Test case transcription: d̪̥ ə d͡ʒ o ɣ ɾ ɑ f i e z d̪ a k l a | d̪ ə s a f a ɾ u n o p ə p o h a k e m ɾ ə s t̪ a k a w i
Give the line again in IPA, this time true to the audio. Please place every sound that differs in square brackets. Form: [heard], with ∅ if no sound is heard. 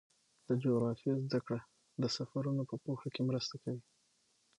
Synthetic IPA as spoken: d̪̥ ə d͡ʒ o ɣ ɾ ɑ f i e z d̪ a k [ɽ] a | d̪ ə s a f a ɾ u n o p ə p o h a k e m ɾ ə s t̪ a k a w i